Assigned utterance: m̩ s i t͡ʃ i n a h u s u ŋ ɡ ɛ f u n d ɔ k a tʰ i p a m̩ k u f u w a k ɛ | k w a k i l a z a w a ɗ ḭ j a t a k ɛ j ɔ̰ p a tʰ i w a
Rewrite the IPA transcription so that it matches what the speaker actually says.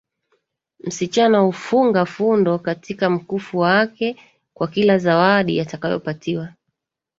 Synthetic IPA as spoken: m̩ s i t͡ʃ a n a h u f u ŋ ɡ a f u n d ɔ k a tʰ i k a m̩ k u f u w a k ɛ | k w a k i l a z a w a ɗ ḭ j a t a k a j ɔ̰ p a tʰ i w a